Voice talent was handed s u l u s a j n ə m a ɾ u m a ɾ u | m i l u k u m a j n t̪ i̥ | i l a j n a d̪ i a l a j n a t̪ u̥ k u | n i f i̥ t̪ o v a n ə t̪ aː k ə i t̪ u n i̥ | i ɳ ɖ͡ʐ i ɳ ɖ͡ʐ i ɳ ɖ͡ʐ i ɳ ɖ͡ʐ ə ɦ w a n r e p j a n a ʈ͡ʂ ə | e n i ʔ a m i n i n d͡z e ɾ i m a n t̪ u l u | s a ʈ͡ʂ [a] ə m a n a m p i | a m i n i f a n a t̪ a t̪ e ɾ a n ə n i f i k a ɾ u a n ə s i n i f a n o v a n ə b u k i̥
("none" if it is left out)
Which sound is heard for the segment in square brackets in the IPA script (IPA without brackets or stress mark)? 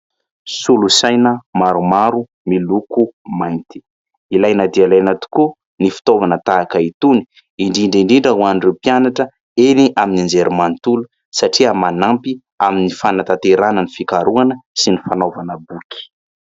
i